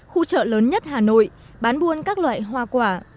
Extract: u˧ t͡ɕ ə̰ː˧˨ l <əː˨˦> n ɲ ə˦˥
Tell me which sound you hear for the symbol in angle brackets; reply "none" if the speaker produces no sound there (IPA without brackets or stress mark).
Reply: əː˨˦